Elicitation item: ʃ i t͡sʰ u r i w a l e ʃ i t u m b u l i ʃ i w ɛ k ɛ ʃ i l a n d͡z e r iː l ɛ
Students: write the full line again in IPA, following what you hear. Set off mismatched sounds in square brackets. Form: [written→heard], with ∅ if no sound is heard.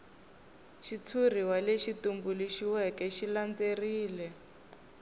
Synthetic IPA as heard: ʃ i t͡sʰ u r i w a l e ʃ i t u m b u l i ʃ i w ɛ k ɛ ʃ i l a n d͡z e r iː l ɛ